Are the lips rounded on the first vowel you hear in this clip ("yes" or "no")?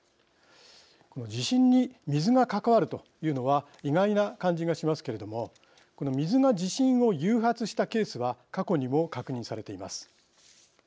yes